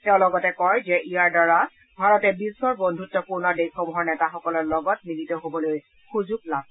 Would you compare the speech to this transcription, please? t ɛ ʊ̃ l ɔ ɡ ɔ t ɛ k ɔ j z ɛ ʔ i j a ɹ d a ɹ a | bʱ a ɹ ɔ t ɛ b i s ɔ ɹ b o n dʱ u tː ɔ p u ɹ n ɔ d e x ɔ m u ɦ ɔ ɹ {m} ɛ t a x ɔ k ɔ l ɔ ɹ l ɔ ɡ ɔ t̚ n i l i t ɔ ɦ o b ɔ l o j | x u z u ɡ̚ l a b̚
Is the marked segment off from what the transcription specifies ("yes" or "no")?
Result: yes